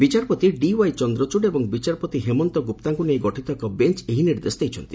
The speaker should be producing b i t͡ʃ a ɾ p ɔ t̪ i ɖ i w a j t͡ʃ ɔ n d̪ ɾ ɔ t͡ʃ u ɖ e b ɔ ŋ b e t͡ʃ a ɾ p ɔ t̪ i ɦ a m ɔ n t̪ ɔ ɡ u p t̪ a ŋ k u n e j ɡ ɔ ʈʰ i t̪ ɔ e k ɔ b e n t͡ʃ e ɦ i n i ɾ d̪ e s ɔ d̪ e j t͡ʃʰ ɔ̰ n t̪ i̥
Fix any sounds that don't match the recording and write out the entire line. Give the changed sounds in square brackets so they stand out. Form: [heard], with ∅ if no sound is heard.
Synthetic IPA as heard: b i t͡ʃ a ɾ p ɔ t̪ i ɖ i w a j t͡ʃ ɔ n d̪ ɾ ɔ t͡ʃ u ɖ e b ɔ ŋ b [i] t͡ʃ a ɾ p ɔ t̪ i ɦ [e] m ɔ n t̪ ɔ ɡ u p t̪ a ŋ k u n e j ɡ ɔ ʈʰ i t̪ ɔ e k ɔ b e n t͡ʃ e ɦ i n i ɾ d̪ e s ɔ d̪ e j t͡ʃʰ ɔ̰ n t̪ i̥

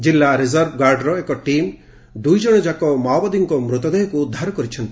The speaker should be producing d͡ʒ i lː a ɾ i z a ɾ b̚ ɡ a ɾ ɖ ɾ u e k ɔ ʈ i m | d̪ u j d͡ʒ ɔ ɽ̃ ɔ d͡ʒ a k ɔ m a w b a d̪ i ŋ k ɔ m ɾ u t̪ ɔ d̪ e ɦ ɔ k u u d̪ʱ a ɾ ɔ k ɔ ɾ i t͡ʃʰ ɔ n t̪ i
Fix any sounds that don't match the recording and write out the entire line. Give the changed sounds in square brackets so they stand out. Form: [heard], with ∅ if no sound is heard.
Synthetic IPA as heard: d͡ʒ i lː a ɾ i z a ɾ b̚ ɡ a ɾ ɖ ɾ [ɔ] e k ɔ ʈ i m | d̪ u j d͡ʒ ɔ ɽ̃ ɔ d͡ʒ a k ɔ m a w b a d̪ i ŋ k ɔ m ɾ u t̪ ɔ d̪ e ɦ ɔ k u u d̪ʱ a ɾ ɔ k ɔ ɾ i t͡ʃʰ ɔ n t̪ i

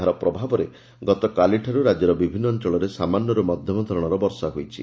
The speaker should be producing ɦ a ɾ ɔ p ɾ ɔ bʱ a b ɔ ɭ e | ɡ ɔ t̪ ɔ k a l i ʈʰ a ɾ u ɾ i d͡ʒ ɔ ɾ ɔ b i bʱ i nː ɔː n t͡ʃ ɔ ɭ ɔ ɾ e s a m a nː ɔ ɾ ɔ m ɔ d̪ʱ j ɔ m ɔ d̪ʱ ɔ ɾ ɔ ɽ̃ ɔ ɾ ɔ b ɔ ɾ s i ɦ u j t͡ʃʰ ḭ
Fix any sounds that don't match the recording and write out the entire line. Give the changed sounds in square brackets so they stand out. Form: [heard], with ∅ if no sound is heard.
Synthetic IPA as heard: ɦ a ɾ ɔ p ɾ ɔ bʱ a b ɔ [ɾ] e | ɡ ɔ t̪ ɔ k a l i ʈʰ a ɾ u ɾ [a] d͡ʒ ɔ ɾ ɔ b i bʱ i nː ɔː n t͡ʃ ɔ ɭ ɔ ɾ e s a m a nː ɔ ɾ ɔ m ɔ d̪ʱ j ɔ m ɔ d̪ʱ ɔ ɾ ɔ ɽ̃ ɔ ɾ ɔ b ɔ ɾ s [a] ɦ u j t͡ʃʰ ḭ

